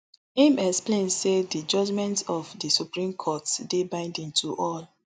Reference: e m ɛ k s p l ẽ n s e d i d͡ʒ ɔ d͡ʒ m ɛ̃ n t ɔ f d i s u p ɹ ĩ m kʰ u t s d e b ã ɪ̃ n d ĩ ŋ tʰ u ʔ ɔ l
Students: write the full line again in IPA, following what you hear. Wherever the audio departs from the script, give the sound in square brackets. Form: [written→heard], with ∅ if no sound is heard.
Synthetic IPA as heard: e m ɛ k s p l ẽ n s e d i d͡ʒ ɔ d͡ʒ m ɛ̃ n t ɔ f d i s u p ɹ ĩ m kʰ [u→ɔ] t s d e b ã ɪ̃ n d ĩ [ŋ→n] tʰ u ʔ ɔ l